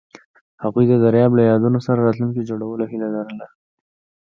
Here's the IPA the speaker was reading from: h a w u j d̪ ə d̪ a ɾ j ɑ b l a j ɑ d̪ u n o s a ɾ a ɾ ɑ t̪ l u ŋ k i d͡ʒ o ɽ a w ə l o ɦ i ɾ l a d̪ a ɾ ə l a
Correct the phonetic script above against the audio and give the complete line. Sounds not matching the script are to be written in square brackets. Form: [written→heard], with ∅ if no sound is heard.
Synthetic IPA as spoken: h a [w→ɣ] u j d̪ ə d̪ a ɾ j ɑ b l a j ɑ d̪ u n o s a ɾ a ɾ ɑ t̪ l u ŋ k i d͡ʒ o ɽ a w ə l o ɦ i [ɾ→∅] l a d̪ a ɾ ə l a